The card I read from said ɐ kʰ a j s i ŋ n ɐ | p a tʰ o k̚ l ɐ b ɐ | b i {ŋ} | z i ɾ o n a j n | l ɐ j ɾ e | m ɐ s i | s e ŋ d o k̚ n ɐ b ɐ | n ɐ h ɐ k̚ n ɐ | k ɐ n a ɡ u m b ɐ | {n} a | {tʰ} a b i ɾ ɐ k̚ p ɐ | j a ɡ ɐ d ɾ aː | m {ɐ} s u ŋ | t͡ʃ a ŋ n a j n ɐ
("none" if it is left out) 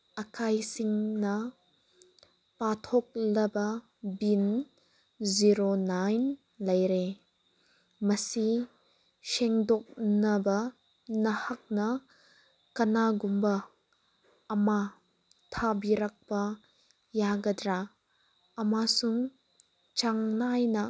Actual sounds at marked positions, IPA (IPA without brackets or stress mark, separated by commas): n, m, tʰ, a